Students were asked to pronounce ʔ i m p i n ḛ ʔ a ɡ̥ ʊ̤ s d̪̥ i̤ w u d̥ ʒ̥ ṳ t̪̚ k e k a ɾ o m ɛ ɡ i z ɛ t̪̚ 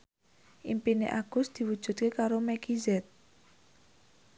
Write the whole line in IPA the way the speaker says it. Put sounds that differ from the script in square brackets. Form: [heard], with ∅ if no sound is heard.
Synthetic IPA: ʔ i m p i n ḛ ʔ a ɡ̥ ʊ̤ s d̪̥ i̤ w u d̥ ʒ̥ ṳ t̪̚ k e k a ɾ o m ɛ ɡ i z ɛ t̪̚